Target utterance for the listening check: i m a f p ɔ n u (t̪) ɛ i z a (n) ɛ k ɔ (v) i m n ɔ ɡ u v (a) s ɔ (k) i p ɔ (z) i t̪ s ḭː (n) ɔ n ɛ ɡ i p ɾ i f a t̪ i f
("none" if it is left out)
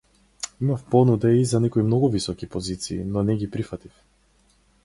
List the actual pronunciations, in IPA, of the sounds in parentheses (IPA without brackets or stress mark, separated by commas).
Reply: d̪, n, none, i, k, z, n